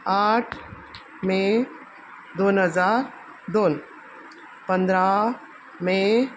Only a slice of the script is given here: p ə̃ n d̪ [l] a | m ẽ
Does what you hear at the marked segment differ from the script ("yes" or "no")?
yes